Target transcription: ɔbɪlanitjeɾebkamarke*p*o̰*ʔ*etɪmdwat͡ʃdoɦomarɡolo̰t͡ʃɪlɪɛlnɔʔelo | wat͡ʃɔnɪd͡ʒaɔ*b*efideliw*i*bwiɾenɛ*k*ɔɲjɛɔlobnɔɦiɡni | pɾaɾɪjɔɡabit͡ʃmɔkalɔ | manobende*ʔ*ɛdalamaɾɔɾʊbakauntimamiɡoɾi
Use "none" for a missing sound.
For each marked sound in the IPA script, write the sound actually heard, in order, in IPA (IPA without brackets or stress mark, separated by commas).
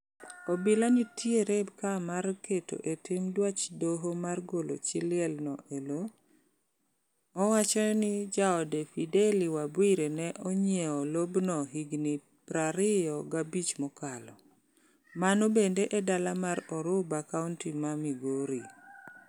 t, ʔ, d, a, ʔ, ʔ